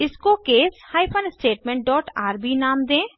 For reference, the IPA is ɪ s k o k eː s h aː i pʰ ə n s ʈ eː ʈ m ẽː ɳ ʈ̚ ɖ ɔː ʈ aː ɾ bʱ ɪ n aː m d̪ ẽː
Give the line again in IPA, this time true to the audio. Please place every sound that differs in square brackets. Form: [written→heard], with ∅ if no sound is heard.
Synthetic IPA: ɪ s k o k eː s h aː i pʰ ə n s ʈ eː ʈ m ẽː ɳ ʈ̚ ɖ ɔː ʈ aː ɾ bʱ [ɪ→i] n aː m d̪ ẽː